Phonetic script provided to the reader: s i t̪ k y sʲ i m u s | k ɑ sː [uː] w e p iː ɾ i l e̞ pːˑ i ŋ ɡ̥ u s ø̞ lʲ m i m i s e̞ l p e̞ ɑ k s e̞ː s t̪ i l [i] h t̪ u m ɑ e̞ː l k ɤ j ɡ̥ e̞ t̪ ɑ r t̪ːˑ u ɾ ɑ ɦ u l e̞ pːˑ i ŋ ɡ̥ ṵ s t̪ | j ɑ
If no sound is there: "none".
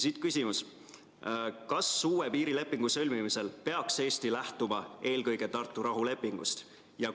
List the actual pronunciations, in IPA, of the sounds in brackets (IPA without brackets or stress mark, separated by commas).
uː, æ